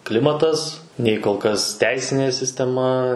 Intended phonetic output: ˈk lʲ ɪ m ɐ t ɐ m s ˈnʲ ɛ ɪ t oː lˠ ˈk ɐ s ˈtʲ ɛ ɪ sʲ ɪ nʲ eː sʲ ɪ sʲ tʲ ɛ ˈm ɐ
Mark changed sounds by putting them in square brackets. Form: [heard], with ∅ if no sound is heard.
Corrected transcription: ˈk lʲ ɪ m ɐ t ɐ [∅] s ˈnʲ ɛ ɪ [k] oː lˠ ˈk ɐ s ˈtʲ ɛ ɪ sʲ ɪ nʲ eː sʲ ɪ sʲ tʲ ɛ ˈm ɐ